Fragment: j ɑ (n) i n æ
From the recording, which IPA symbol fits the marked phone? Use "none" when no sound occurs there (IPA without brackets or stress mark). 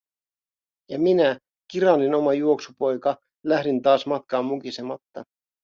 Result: m